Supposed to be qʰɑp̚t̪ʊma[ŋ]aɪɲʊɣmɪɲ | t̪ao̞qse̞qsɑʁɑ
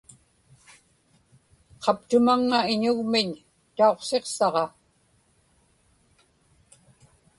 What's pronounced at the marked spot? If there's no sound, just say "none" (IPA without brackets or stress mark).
ŋː